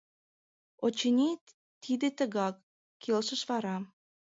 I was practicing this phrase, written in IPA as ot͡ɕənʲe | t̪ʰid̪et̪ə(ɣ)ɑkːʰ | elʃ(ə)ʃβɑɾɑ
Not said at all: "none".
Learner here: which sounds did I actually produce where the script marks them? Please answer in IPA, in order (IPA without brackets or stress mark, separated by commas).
ɣ, ə